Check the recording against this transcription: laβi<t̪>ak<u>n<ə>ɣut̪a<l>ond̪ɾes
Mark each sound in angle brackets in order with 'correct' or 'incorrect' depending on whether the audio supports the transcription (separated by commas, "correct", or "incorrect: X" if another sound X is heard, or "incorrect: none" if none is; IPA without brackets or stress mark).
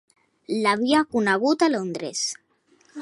incorrect: none, correct, incorrect: a, correct